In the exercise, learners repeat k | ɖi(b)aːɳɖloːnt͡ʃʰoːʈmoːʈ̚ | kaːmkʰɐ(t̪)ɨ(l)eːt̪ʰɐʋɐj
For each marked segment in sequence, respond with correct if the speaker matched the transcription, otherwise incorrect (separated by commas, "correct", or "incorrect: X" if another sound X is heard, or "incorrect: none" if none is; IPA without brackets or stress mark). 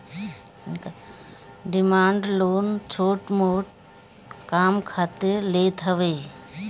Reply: incorrect: m, correct, correct